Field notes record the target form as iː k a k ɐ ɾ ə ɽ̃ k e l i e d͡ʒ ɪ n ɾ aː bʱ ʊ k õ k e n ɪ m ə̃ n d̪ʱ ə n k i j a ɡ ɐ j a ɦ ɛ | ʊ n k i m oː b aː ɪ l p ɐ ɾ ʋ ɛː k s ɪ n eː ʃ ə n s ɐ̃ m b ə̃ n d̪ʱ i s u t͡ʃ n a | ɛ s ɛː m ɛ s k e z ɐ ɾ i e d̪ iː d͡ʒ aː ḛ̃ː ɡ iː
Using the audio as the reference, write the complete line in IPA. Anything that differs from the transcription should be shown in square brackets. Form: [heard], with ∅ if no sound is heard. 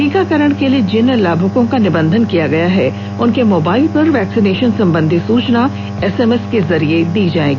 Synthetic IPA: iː k a k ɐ ɾ ə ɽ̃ k e l i e d͡ʒ ɪ n [l] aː bʱ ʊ k õ k [a] n ɪ [b] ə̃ n d̪ʱ ə n k i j a ɡ ɐ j a ɦ ɛ | ʊ n k [e] m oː b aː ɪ l p ɐ ɾ ʋ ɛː k s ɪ n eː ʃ ə n s ɐ̃ m b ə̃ n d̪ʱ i s [uː] t͡ʃ n a | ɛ s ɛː m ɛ s k e z ɐ ɾ i e d̪ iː d͡ʒ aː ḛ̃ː ɡ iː